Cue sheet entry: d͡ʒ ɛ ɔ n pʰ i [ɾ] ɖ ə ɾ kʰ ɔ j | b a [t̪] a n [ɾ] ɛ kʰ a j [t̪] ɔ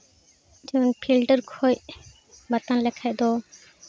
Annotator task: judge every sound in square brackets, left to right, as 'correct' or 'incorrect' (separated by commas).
incorrect, correct, incorrect, incorrect